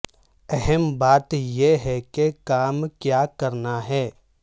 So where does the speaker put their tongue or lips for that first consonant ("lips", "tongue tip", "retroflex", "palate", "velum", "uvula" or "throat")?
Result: throat